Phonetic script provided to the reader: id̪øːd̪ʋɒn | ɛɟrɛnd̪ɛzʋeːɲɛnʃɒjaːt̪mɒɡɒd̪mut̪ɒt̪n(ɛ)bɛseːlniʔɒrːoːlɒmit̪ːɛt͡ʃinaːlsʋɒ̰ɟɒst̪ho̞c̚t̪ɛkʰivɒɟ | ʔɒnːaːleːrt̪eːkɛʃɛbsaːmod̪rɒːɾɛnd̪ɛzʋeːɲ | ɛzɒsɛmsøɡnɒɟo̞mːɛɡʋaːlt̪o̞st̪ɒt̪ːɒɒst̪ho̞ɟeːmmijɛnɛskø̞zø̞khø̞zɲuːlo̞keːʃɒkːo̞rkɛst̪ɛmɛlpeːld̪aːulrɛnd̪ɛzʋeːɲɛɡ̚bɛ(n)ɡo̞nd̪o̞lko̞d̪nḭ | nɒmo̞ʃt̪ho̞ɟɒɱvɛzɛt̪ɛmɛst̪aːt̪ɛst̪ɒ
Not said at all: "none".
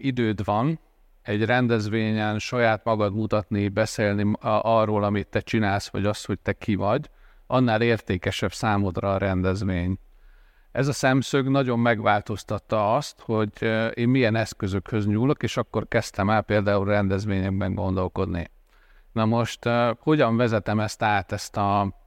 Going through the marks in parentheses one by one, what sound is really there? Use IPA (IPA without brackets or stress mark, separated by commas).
i, ŋ